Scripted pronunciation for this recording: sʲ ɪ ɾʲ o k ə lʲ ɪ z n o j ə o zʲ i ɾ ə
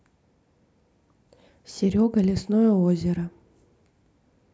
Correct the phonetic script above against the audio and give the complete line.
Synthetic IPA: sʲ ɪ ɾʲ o ɡ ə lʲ ɪ s n o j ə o zʲ ɪ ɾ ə